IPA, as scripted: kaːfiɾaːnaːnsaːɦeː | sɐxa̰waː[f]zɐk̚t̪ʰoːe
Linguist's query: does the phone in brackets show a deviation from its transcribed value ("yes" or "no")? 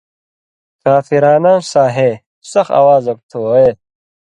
yes